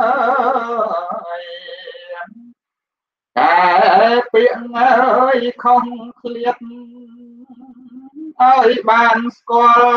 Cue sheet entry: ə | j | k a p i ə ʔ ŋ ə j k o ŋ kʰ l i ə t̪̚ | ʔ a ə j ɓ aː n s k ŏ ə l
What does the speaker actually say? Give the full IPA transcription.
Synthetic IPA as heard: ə | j | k a p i ə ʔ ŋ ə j kʰ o ŋ kʰ l i ə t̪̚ | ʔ a ə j ɓ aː n s k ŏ ə l